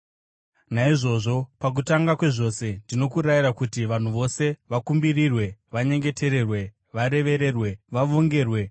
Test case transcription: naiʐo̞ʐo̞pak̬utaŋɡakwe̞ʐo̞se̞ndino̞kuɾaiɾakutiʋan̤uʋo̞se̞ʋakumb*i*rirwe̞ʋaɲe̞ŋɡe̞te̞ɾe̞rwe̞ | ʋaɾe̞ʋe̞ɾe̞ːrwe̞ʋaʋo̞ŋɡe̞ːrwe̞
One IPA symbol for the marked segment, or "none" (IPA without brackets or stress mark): i